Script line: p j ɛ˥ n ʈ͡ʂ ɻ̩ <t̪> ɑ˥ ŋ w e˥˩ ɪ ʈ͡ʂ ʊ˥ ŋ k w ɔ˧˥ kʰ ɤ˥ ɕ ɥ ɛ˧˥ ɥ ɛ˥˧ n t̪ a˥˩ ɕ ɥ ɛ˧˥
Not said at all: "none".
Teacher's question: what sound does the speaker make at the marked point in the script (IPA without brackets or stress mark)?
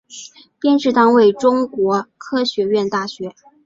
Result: t̪